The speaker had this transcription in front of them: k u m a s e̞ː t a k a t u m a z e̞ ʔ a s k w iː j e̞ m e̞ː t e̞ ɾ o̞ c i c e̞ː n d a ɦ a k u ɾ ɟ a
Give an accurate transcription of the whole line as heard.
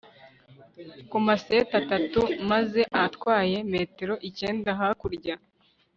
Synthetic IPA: k u m a s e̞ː t a t a t u m a z e̞ ʔ a t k w aː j e̞ m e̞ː t e̞ ɾ o̞ ʔ i c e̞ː n d a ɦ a k u ɾ ɟ a